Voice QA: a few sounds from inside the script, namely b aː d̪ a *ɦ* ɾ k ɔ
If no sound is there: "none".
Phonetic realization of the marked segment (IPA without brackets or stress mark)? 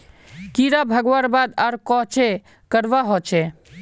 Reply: none